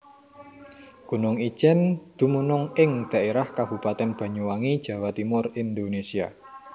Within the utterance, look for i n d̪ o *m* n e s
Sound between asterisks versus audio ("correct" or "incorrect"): incorrect